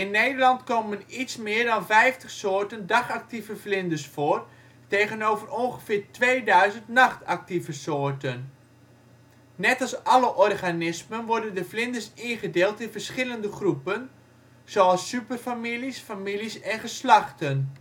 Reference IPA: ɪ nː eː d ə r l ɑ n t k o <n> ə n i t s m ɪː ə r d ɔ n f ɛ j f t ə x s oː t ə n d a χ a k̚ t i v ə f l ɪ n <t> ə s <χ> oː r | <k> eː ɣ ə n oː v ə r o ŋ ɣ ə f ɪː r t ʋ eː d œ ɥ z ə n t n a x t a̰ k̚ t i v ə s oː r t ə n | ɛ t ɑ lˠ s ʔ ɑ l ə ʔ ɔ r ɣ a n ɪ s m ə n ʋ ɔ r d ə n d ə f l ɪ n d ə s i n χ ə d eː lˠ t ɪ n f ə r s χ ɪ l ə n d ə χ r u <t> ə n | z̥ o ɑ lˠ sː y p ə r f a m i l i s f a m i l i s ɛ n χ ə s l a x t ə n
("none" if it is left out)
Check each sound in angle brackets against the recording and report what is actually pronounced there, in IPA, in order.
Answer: m, d, f, t, p

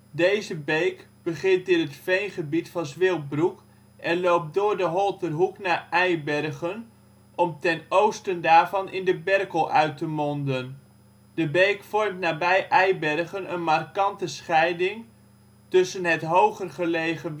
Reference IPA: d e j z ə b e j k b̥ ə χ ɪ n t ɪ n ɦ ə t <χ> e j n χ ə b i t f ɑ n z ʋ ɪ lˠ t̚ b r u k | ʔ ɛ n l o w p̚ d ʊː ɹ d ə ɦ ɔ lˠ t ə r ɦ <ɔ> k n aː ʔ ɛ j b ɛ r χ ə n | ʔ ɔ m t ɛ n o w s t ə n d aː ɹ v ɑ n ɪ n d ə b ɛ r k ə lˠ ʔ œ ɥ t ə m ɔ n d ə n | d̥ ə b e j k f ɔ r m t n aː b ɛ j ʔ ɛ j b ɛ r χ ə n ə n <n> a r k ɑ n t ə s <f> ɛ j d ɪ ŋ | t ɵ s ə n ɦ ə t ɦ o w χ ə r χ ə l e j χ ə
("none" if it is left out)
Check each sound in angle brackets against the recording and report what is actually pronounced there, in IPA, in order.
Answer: f, u, m, χ

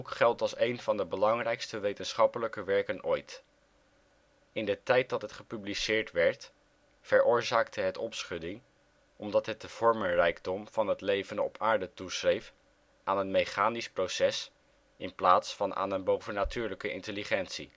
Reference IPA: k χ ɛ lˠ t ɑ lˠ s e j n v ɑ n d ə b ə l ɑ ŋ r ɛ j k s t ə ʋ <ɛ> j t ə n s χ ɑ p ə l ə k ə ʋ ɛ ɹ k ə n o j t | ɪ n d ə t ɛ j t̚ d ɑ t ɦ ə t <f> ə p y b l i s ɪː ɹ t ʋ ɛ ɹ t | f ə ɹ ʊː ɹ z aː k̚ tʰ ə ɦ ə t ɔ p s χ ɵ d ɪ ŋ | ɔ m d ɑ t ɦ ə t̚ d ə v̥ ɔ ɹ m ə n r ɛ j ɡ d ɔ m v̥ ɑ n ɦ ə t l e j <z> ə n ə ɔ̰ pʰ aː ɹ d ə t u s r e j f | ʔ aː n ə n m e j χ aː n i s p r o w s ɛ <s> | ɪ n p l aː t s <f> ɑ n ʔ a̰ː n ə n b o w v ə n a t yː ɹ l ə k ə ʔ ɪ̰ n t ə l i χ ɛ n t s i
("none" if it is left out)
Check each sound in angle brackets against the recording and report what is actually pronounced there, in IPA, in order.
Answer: e, χ, v, s, f

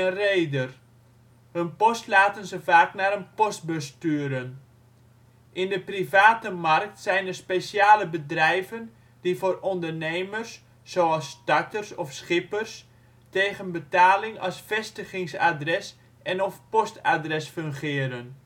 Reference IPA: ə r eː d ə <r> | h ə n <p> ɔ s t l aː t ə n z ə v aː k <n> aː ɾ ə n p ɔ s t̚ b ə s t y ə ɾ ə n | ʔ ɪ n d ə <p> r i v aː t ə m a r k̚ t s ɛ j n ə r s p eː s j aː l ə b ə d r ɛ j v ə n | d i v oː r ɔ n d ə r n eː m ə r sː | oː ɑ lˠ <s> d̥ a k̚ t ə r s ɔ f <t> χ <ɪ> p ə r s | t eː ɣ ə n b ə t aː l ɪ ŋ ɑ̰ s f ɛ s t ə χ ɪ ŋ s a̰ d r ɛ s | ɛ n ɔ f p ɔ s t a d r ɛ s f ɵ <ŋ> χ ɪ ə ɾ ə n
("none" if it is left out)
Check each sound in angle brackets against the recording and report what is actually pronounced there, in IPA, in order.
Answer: r, p, n, p, s, s, ɪ, ŋ

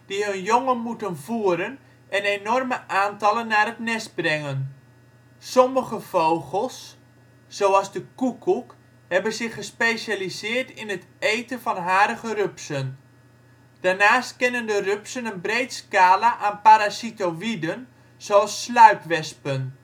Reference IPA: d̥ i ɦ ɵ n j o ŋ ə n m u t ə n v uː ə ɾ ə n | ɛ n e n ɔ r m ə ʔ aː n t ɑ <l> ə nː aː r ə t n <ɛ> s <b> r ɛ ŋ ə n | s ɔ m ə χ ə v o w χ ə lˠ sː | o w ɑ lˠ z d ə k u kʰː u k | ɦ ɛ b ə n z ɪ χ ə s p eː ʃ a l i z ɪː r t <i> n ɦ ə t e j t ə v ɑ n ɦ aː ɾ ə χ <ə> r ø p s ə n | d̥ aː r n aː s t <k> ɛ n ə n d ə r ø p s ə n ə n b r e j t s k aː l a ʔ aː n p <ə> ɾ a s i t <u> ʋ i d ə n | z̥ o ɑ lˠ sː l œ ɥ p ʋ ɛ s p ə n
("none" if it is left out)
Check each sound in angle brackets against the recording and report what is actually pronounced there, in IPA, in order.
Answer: l, ɛ, b, ɪ, ə, k, a, o

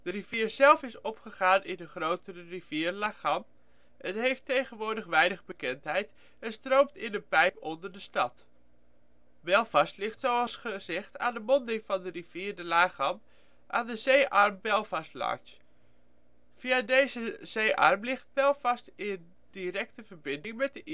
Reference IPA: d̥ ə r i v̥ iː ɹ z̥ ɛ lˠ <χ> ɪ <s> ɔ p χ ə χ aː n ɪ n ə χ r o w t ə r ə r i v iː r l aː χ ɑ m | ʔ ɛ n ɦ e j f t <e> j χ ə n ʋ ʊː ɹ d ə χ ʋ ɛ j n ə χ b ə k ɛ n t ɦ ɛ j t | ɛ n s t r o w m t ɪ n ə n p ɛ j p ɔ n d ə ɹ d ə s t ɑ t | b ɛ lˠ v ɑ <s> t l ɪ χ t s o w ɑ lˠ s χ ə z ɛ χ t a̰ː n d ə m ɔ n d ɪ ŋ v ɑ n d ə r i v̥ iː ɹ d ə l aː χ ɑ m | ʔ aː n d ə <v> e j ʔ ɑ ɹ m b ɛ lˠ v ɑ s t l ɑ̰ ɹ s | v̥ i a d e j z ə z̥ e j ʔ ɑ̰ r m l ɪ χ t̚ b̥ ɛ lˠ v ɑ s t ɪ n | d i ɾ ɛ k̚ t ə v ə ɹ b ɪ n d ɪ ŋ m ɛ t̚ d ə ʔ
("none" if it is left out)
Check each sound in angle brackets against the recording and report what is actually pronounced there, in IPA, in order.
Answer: f, s, e, s, z

